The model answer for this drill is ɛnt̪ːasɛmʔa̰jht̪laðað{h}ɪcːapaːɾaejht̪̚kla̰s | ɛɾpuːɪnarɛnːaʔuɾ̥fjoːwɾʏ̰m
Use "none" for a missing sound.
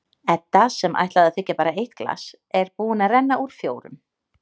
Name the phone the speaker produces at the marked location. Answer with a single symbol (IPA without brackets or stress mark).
θ